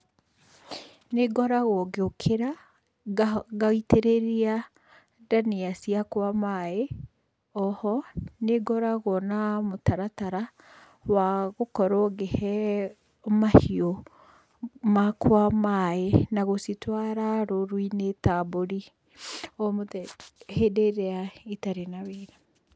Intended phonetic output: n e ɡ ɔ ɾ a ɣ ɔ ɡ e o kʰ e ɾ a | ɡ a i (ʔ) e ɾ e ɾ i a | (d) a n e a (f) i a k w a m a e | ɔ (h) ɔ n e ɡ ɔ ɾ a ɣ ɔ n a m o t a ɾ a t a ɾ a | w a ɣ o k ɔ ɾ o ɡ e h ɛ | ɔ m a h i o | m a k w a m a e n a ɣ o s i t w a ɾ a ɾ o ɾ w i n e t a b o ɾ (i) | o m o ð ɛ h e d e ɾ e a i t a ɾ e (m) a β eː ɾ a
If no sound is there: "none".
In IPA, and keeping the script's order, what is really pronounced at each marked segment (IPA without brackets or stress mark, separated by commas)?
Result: t, d, s, h, i, n